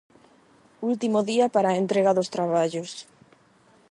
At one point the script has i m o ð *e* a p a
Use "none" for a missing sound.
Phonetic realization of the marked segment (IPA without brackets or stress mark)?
i